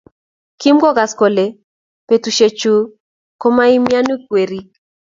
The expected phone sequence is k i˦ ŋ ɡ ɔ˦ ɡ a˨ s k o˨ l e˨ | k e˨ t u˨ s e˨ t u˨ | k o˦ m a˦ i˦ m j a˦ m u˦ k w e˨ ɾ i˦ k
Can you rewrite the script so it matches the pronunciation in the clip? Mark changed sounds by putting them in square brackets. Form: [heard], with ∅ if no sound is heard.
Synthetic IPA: k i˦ [m] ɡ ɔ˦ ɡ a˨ s k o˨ l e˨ | [p] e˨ t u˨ [ʃ] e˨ [t͡ʃ] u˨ | k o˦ m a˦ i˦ m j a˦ [n] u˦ k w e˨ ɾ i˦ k